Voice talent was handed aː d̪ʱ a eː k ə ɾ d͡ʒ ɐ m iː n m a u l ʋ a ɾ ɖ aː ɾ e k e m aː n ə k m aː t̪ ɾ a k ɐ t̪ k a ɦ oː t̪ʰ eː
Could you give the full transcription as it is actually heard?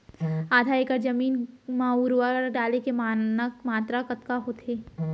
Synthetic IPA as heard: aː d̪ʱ a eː k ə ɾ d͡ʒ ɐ m iː n m a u ɾ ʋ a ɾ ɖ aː l e k e m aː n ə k m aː t̪ ɾ a k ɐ t̪ k a ɦ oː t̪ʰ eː

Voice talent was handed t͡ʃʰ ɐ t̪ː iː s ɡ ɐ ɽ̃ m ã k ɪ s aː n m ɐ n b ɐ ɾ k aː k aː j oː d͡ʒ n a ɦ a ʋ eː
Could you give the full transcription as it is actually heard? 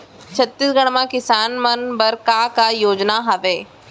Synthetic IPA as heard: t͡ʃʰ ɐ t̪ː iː s ɡ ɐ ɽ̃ m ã k ɪ s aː n m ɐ n b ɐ ɾ k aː k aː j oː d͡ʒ n a ɦ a ʋ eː

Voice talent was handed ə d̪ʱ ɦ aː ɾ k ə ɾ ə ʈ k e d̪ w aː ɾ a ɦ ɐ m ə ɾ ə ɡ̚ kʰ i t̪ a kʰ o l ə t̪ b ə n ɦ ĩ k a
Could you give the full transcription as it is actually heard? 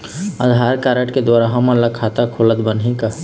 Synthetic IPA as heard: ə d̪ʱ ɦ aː ɾ k a ɾ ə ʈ k e d̪ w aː ɾ a ɦ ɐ m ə l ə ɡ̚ kʰ a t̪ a kʰ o l ə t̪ b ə n ɦ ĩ k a

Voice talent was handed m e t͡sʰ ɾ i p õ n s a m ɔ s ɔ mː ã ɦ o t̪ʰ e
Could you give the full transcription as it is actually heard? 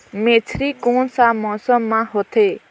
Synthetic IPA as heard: m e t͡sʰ ɾ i k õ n s a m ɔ s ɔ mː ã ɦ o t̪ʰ e

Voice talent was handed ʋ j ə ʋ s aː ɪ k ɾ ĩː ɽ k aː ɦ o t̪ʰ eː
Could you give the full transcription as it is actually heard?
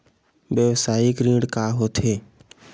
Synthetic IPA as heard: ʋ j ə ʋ s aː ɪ k ɾ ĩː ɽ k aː ɦ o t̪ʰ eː

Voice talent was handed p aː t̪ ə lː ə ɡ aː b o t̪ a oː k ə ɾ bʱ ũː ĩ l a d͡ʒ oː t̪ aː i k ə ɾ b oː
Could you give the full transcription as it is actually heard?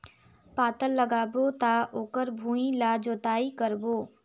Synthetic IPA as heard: p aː t̪ ə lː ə ɡ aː b o t̪ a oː k ə ɾ bʱ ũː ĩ l a d͡ʒ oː t̪ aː i k ə ɾ b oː

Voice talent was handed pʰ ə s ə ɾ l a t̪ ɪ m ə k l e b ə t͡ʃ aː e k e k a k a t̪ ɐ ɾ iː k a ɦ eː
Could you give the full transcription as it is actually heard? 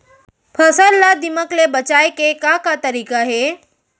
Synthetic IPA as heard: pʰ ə s ə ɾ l a d̪ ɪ m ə k l e b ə t͡ʃ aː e k e k a k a t̪ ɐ ɾ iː k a ɦ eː

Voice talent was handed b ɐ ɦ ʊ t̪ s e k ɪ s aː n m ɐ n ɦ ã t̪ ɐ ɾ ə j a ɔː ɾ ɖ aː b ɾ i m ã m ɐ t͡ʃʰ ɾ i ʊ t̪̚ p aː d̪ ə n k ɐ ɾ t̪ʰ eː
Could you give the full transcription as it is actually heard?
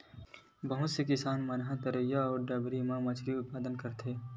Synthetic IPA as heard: b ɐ ɦ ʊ t̪ s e k ɪ s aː n m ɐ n ɦ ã t̪ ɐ ɾ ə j a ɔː ɾ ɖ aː b ɾ i m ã m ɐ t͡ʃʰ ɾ i ʊ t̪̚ p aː d̪ ə n k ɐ ɾ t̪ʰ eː

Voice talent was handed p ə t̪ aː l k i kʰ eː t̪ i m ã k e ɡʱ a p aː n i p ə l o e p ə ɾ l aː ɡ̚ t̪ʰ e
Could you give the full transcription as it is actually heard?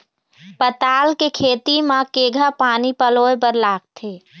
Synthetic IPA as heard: p ə t̪ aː l k e kʰ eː t̪ i m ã k e ɡʱ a p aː n i p ə l o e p ə ɾ l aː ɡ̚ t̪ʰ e

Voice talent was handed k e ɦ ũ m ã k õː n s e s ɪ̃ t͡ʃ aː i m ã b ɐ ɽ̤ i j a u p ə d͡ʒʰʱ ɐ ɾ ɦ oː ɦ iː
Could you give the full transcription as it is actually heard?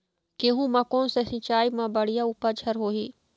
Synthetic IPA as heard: k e ɦ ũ m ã k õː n s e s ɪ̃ t͡ʃ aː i m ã b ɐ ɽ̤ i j a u p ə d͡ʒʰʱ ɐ ɾ ɦ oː ɦ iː

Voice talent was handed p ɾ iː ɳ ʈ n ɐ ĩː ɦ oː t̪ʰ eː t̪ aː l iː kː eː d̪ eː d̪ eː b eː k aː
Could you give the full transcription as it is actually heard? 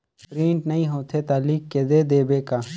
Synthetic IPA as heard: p ɾ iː ɳ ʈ n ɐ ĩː ɦ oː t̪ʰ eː t̪ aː l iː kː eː d̪ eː d̪ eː b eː k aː

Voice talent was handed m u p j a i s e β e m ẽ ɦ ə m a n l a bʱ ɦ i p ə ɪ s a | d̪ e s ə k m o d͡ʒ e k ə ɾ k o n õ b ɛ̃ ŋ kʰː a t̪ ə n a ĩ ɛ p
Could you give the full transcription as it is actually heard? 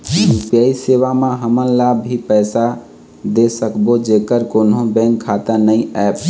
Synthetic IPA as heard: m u p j a i s e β a m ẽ ɦ ə m ə n l a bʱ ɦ i p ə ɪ s a | d̪ e s ə k b o d͡ʒ e k ə ɾ k o n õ b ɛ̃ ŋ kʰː a t̪ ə n ə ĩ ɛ p

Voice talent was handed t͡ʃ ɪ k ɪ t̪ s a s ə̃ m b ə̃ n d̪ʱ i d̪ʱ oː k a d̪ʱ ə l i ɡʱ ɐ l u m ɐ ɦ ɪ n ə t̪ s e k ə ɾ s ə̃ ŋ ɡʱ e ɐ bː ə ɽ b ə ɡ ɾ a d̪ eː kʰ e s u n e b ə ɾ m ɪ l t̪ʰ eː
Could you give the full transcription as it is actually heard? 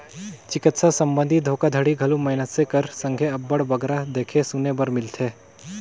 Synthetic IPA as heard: t͡ʃ ɪ k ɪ t̪ s a s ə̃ m b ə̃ n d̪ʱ i d̪ʱ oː k a d̪ʱ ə ɽ i ɡʱ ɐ l u m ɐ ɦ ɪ n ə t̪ s e k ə ɾ s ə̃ ŋ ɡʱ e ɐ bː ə ɽ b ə ɡ ɾ a d̪ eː kʰ e s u n e b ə ɾ m ɪ l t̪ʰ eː

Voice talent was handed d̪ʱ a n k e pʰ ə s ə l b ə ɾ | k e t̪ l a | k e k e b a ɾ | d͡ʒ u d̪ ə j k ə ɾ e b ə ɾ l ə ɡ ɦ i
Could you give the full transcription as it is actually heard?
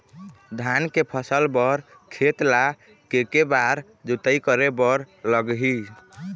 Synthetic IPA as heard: d̪ʱ a n k e pʰ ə s ə l b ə ɾ | kʰ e t̪ l a | k e k e b a ɾ | d͡ʒ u t̪ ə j k ə ɾ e b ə ɾ l ə ɡ ɦ i

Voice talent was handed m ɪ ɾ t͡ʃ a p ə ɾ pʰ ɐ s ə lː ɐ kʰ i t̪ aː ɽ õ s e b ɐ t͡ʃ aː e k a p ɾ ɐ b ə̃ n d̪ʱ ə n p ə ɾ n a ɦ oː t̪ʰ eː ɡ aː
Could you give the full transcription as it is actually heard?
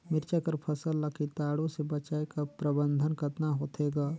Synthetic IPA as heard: m ɪ ɾ t͡ʃ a k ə ɾ pʰ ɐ s ə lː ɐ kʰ i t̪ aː ɽ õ s e b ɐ t͡ʃ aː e k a p ɾ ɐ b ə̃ n d̪ʱ ə n k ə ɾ n a ɦ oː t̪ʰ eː ɡ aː

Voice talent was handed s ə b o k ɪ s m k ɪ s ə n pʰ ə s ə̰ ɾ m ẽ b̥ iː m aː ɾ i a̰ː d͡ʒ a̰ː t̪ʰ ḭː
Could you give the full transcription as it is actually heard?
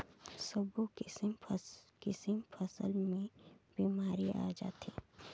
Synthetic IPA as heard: s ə b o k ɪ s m k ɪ s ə m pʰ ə s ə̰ l m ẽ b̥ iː m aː ɾ i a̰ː d͡ʒ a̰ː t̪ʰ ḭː

